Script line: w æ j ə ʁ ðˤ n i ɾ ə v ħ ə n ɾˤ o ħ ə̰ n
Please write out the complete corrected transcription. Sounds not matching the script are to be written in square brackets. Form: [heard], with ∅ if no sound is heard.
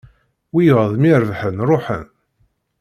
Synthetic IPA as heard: w [i] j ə ʁ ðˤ [m] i ɾ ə v ħ ə n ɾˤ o ħ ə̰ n